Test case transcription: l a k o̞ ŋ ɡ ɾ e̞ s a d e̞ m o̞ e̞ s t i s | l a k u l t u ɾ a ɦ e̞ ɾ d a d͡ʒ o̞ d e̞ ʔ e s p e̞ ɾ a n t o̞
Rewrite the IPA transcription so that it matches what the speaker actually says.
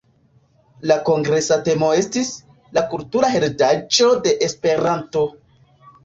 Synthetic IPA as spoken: l a k o̞ ŋ ɡ ɾ e̞ s a t e̞ m o̞ e̞ s t i s | l a k u l t u ɾ a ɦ e̞ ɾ d a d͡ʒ o̞ d e̞ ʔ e s p e̞ ɾ a n t o̞

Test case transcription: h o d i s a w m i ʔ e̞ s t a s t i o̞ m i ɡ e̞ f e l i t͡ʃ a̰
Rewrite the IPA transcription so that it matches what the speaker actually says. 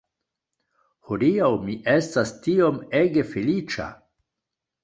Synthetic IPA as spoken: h o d i a w m i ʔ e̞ s t a s t i o̞ m e ɡ e̞ f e l i t͡ʃ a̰

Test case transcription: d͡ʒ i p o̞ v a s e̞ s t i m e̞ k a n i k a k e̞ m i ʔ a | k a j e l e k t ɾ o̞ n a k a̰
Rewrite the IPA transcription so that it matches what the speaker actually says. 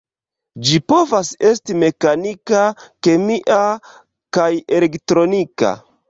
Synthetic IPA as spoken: d͡ʒ i p o̞ v a s e̞ s t i m e̞ k a n i k a k e̞ m i ʔ a | k a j e l e k t ɾ o̞ n i k a̰

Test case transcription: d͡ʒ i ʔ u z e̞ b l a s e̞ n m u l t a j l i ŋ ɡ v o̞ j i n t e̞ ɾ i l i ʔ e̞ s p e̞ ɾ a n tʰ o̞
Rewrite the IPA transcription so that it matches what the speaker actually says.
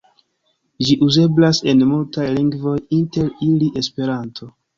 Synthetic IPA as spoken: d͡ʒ i ʔ u z e̞ b l a s e̞ n m u l t a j l i ŋ ɡ v o̞ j i n t e̞ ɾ i l i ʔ e̞ s p e̞ ɾ a n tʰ o̞

